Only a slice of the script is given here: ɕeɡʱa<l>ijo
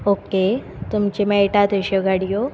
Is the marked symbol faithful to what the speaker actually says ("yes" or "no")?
no